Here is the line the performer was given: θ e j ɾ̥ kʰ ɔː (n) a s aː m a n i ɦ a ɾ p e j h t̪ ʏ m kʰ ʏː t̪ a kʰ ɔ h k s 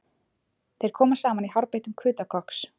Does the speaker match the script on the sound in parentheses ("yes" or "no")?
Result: no